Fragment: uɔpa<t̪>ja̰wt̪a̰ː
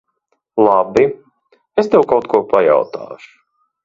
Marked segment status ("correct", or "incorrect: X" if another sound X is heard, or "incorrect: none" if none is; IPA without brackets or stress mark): incorrect: none